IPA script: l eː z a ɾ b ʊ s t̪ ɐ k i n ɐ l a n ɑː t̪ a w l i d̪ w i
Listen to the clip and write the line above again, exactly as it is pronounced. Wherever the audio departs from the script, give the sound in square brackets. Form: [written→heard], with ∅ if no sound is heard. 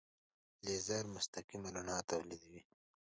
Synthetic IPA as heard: l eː z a ɾ [b→m] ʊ s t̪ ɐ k i [n→m] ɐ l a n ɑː t̪ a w l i d̪ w i

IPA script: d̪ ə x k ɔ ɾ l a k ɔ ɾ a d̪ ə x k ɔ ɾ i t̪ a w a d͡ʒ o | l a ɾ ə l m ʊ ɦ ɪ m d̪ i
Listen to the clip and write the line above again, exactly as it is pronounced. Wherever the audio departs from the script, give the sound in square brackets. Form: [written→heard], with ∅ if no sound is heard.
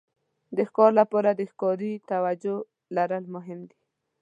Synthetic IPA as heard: d̪ ə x k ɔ ɾ l a [k→p] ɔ ɾ a d̪ ə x k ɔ ɾ i t̪ a w a d͡ʒ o | l a ɾ ə l m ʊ ɦ ɪ m d̪ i

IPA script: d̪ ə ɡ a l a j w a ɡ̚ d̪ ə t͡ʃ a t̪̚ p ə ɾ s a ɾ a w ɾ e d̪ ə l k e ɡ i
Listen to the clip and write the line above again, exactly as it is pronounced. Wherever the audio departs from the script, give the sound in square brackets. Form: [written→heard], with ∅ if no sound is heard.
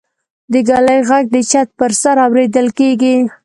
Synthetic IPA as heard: d̪ ə ɡ a l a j [w→ɣ] a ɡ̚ d̪ ə t͡ʃ a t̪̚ p ə ɾ s a ɾ a w ɾ e d̪ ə l k e ɡ i

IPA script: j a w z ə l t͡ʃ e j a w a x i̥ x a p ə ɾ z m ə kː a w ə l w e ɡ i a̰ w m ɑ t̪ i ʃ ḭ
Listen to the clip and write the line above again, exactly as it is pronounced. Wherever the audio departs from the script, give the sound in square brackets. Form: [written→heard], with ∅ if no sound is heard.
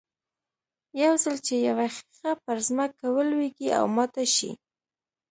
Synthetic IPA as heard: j a w z ə l t͡ʃ e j a w a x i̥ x a p ə ɾ z m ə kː a w ə l w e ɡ i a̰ w m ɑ t̪ [i→a] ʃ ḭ

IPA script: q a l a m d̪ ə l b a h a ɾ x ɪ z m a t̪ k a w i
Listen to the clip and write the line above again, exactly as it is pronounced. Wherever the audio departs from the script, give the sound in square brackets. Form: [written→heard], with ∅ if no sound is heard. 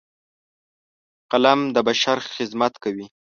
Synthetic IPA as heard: q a l a m d̪ ə [l→∅] b a [h→ʃ] a ɾ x ɪ z m a t̪ k a w i

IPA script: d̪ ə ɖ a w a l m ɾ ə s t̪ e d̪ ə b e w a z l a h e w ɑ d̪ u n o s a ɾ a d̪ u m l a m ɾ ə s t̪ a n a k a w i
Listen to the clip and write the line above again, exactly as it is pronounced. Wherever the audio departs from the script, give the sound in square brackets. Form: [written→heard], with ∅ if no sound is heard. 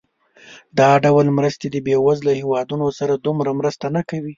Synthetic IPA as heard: d̪ [ə→ɑ] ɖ a w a l m ɾ ə s t̪ e d̪ ə b e w a z l a h e w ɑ d̪ u n o s a ɾ a d̪ u m [l→ɾ] a m ɾ ə s t̪ a n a k a w i

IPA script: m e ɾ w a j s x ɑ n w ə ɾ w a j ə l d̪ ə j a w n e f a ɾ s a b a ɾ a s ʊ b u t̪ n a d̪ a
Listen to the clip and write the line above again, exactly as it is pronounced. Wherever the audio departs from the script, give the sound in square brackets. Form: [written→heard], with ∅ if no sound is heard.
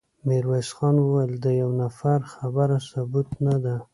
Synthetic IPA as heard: m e ɾ w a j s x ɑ n w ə [ɾ→∅] w a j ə l d̪ ə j a w n [e→a] f a ɾ [s→x] a b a ɾ a s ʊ b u t̪ n a d̪ a

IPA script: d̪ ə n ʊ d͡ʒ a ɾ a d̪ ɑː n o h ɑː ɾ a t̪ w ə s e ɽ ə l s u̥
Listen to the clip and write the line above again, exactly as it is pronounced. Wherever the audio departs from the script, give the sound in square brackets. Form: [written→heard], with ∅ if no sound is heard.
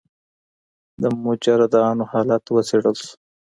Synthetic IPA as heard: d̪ ə [n→m] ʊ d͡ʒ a ɾ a d̪ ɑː n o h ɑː [ɾ→l] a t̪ w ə s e ɽ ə l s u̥

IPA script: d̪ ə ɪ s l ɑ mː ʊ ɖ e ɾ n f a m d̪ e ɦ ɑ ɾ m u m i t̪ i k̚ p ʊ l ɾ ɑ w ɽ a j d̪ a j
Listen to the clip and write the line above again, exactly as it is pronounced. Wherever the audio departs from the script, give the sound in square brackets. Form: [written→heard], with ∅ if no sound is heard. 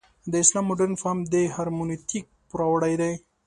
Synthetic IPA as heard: d̪ ə ɪ s l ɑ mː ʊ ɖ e ɾ n f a m d̪ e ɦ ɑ ɾ m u [m→n] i t̪ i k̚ p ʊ [l→∅] ɾ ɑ w ɽ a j d̪ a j

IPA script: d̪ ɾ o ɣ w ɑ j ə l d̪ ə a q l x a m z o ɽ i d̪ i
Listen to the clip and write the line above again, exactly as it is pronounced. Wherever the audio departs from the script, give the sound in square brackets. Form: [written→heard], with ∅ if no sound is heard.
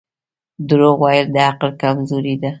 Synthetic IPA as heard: d̪ ɾ o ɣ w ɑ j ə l d̪ ə a q l [x→k] a m z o [ɽ→ɾ] i d̪ [i→a]

